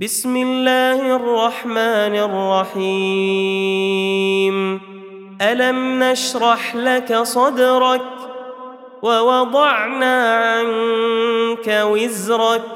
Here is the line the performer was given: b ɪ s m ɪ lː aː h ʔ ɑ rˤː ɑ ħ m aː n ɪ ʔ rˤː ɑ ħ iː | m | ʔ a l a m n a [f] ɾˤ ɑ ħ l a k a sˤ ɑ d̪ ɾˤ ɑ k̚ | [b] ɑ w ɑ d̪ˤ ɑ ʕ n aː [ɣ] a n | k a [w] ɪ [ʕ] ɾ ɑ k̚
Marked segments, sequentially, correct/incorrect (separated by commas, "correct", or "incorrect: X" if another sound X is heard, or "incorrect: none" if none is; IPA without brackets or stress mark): incorrect: ʃ, incorrect: w, incorrect: ʕ, correct, incorrect: z